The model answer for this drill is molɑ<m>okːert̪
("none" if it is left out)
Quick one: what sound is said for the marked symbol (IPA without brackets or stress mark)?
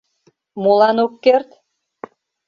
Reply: n